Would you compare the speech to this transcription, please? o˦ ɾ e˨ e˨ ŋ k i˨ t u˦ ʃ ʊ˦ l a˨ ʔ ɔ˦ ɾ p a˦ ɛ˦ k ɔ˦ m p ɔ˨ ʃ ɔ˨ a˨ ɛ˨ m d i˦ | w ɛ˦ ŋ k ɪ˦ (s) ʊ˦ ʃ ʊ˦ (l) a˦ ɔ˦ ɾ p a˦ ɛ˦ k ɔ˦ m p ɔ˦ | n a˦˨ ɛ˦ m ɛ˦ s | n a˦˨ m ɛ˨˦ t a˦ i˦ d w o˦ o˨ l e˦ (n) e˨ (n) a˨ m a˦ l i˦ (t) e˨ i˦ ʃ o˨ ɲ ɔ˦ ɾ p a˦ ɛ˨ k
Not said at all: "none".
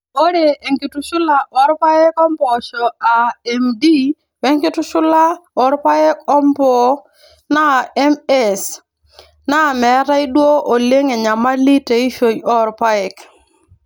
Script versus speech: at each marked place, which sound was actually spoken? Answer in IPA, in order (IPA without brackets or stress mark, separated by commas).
t, l, ŋ, ɲ, t